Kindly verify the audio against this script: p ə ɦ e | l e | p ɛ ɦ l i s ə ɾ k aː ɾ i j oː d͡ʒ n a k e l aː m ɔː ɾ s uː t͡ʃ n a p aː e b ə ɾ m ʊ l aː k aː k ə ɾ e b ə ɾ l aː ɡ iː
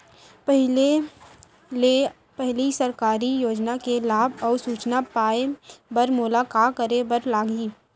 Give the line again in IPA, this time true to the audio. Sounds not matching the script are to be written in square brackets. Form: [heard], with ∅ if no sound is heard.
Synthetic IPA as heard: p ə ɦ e | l e | p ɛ ɦ l i s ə ɾ k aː ɾ i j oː d͡ʒ n a k e l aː [b] ɔː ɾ s uː t͡ʃ n a p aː e b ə ɾ m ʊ l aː k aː k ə ɾ e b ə ɾ l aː ɡ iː